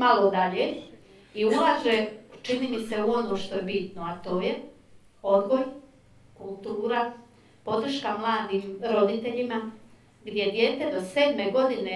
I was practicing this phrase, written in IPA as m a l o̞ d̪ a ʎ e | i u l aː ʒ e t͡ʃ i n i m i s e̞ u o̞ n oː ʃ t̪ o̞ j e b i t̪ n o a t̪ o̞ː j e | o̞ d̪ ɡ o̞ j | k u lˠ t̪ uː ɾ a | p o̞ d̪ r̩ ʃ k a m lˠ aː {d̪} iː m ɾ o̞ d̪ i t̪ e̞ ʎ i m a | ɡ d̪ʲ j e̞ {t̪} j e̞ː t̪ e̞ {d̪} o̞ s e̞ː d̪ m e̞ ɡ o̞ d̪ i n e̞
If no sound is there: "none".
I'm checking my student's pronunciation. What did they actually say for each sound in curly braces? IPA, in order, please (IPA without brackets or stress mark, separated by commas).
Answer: d̪, d̪, d̪